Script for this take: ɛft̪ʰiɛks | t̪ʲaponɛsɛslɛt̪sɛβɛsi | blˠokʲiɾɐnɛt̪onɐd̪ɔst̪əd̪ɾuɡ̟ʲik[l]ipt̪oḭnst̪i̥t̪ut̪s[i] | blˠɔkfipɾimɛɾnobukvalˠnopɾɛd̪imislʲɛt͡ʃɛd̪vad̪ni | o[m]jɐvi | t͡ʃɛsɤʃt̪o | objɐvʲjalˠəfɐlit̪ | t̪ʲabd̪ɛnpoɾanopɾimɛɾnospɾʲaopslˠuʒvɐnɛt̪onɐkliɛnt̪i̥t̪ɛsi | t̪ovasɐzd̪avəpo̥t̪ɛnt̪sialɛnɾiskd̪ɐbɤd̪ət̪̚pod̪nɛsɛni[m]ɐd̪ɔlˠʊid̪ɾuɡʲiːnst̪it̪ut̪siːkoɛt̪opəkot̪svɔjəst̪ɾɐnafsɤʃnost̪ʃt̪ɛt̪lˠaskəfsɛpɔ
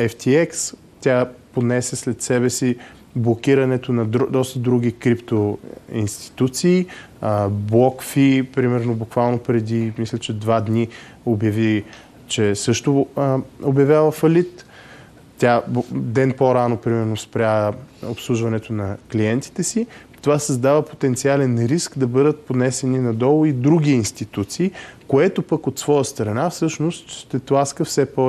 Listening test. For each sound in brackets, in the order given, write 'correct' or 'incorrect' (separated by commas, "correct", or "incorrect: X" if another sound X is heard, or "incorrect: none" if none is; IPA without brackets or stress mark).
incorrect: ɾ, incorrect: iː, incorrect: b, incorrect: n